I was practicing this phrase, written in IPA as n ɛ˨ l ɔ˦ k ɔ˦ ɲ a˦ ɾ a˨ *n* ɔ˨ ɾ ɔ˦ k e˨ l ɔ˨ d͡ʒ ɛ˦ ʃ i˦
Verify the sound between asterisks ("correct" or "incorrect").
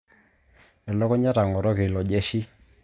incorrect